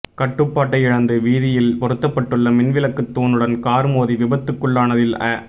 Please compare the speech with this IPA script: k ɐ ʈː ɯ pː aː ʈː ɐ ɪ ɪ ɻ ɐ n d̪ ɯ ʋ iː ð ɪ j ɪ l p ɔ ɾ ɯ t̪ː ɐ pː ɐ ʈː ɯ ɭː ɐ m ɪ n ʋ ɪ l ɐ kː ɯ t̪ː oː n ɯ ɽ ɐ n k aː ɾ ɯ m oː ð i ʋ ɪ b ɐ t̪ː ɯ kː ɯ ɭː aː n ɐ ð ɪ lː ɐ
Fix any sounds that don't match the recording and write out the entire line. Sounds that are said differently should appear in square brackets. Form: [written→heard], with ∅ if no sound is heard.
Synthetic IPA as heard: k ɐ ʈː ɯ pː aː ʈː ɐ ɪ ɪ ɻ ɐ n d̪ ɯ ʋ iː ð ɪ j ɪ l p ɔ ɾ ɯ t̪ː ɐ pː ɐ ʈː ɯ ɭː ɐ m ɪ n ʋ ɪ l ɐ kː ɯ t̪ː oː n ɯ ɽ ɐ n k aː ɾ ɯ m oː ð i ʋ ɪ b ɐ t̪ː ɯ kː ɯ ɭː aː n ɐ ð ɪ [lː→l] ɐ